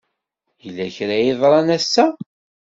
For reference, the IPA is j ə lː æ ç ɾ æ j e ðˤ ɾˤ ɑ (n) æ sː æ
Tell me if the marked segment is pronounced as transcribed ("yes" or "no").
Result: yes